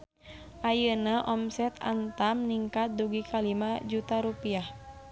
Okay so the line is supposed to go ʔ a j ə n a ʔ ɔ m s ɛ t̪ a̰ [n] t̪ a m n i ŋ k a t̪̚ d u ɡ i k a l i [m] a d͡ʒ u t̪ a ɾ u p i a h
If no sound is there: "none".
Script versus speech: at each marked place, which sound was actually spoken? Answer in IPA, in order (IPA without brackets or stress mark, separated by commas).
n, m